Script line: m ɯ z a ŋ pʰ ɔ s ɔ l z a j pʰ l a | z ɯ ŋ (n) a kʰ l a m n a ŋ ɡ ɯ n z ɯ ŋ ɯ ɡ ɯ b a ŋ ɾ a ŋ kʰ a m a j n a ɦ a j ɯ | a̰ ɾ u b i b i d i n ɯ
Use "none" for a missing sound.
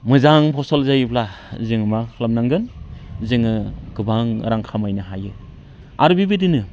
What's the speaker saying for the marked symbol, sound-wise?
m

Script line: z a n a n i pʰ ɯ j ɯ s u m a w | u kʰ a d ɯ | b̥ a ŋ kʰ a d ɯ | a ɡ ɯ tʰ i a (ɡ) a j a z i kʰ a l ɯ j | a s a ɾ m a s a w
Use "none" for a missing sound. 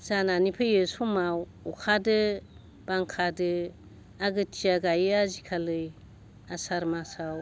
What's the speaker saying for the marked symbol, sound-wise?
ɡ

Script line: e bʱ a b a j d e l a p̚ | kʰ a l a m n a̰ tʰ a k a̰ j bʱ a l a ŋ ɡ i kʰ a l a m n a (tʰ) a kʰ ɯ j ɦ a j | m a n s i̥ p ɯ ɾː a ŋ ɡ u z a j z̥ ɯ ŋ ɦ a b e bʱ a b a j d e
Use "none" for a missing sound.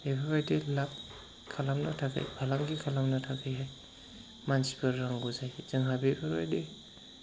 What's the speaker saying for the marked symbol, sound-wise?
tʰ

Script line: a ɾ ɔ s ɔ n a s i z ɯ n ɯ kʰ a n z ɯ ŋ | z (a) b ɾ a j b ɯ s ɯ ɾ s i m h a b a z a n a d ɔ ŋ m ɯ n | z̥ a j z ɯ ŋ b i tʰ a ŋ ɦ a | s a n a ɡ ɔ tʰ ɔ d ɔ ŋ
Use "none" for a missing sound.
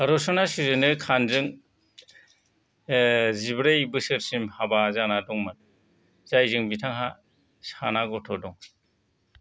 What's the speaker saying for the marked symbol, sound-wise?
i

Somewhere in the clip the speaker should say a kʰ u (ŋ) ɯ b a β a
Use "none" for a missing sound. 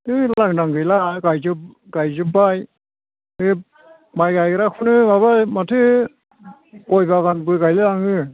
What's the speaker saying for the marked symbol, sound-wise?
n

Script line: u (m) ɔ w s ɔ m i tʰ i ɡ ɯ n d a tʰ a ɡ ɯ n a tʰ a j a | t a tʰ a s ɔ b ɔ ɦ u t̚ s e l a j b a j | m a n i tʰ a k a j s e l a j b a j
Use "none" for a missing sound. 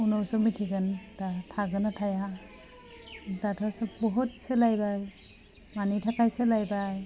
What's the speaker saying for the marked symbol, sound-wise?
n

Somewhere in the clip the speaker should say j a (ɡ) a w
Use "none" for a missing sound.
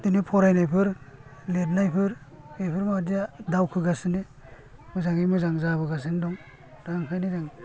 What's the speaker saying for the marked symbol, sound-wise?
d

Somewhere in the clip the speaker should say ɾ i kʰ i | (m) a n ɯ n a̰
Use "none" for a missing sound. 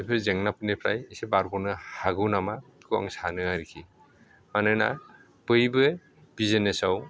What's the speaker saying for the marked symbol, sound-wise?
m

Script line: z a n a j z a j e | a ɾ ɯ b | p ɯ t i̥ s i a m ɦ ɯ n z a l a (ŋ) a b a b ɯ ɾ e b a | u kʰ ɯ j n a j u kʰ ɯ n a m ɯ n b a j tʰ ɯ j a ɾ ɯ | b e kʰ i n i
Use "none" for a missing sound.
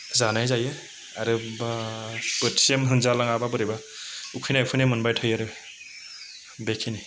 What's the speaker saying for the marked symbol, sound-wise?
ŋ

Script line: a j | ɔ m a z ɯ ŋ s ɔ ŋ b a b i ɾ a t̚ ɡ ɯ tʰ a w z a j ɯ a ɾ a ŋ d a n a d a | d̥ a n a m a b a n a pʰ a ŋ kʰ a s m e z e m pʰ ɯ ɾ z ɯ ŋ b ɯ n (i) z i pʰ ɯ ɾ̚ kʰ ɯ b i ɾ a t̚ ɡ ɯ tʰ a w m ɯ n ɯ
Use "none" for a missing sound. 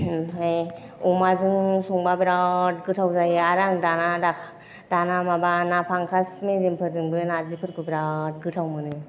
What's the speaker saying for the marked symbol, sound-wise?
a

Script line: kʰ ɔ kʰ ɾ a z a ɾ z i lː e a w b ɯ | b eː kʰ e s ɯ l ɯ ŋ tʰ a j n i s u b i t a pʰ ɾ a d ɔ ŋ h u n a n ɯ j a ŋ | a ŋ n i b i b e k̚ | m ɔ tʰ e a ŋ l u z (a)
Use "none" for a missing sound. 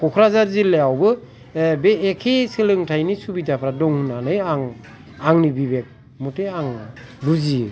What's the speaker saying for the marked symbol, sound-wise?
i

